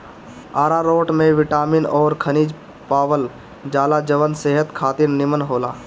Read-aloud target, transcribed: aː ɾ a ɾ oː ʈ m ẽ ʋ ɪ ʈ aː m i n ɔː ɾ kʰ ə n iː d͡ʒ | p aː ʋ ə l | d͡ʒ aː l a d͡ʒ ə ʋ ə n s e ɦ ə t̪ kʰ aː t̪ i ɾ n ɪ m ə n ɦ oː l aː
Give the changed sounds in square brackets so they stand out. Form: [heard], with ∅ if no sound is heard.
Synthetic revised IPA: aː ɾ a ɾ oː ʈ m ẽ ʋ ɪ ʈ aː m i n ɔː ɾ kʰ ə n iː d͡ʒ | p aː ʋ ə l | d͡ʒ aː l a d͡ʒ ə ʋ ə n s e ɦ ə t̪ kʰ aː t̪ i ɾ n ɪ m ə n ɦ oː l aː